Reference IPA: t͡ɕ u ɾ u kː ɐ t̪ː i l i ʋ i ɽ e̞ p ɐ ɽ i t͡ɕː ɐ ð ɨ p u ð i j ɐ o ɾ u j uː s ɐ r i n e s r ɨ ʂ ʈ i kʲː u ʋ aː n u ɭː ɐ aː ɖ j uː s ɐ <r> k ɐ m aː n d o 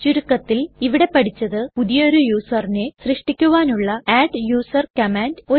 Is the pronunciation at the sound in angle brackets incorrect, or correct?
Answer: correct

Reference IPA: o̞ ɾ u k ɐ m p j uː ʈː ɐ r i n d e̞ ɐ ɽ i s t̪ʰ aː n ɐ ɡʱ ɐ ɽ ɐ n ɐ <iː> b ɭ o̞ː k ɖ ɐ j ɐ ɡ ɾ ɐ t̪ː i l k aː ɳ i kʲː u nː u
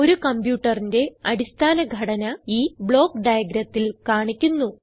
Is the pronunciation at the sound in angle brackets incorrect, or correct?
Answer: correct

